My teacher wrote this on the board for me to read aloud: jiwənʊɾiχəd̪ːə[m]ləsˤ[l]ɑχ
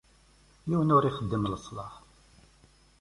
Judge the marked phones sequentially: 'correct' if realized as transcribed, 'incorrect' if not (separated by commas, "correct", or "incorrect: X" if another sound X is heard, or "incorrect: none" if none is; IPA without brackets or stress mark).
correct, correct